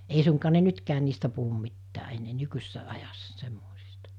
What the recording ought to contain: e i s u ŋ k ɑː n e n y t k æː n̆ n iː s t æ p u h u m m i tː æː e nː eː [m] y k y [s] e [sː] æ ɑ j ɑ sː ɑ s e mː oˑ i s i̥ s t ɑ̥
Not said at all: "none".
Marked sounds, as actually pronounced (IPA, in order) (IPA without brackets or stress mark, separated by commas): n, s, sː